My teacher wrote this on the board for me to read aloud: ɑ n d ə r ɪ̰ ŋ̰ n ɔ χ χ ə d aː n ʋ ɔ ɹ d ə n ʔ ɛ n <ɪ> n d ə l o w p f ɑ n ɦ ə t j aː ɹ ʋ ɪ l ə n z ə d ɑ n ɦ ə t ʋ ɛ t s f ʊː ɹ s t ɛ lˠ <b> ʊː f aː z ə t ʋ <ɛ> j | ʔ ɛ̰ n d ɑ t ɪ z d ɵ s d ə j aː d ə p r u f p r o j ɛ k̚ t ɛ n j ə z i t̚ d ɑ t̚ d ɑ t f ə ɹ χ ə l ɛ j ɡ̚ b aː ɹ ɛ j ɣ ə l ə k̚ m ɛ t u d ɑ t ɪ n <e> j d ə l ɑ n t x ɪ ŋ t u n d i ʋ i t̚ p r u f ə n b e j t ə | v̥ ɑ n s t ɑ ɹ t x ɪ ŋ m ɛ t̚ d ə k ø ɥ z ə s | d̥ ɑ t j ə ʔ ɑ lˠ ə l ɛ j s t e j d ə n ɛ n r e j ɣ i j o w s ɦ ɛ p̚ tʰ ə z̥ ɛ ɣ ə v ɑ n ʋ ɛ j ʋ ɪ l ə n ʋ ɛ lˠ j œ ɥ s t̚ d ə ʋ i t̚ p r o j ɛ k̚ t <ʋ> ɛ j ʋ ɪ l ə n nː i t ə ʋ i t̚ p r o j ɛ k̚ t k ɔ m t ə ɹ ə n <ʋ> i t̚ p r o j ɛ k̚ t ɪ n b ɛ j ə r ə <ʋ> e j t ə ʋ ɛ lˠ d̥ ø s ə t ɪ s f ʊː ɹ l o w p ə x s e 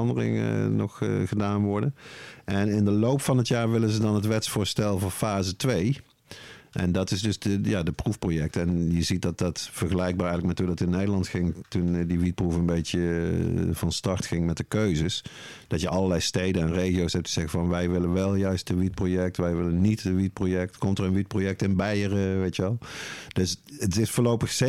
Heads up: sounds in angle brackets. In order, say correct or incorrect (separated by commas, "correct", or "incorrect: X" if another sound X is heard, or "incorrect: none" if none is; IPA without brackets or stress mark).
correct, incorrect: v, incorrect: e, correct, correct, correct, correct